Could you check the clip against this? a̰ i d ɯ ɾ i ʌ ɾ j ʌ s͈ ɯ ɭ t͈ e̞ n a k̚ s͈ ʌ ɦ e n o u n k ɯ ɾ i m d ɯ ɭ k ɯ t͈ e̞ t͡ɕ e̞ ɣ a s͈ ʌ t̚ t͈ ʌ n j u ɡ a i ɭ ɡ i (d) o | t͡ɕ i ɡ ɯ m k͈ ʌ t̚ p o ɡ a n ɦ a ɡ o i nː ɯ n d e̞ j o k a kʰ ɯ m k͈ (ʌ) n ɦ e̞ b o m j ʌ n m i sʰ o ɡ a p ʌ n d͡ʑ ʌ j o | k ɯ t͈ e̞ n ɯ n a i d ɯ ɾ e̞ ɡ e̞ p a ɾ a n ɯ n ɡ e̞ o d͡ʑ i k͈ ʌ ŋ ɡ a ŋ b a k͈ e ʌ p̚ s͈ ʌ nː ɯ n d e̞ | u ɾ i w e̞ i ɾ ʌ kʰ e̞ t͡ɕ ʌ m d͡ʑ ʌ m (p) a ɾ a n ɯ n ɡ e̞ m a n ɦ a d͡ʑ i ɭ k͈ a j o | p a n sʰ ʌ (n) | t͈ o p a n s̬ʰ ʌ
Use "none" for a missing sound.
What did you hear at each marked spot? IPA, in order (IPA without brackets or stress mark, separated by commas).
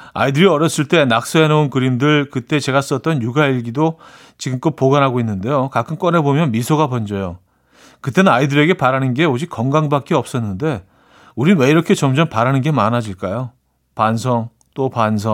d, ʌ, p, ŋ